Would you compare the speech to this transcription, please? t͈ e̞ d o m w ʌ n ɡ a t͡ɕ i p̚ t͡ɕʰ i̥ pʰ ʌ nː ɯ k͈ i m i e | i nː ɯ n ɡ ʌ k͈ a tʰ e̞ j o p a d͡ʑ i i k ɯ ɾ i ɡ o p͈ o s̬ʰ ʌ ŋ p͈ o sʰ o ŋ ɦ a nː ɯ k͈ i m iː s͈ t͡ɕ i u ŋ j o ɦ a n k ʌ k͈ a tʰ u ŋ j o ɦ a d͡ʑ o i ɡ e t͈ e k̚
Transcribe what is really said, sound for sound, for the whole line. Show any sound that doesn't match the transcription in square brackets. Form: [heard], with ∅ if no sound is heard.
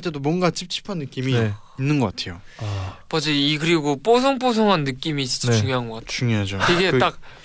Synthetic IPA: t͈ e̞ d o m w ʌ n ɡ a t͡ɕ i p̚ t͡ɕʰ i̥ pʰ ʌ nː ɯ k͈ i m i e | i nː ɯ n ɡ ʌ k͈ a tʰ e̞ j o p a d͡ʑ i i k ɯ ɾ i ɡ o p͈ o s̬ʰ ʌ ŋ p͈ o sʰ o ŋ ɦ a nː ɯ k͈ i m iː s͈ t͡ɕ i u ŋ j o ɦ a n [ɡ] ʌ k͈ a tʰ u ŋ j o ɦ a d͡ʑ o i ɡ e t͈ [a] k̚